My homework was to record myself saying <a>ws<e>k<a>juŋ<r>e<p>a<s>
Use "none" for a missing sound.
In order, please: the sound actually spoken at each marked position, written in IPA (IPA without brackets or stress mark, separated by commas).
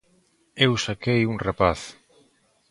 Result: e, a, e, r, p, θ